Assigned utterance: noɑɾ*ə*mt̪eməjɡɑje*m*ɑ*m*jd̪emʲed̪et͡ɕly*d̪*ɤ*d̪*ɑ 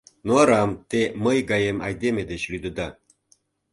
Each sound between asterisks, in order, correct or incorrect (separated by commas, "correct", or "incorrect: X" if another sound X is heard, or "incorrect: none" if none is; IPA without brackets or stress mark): incorrect: ɑ, correct, incorrect: none, correct, correct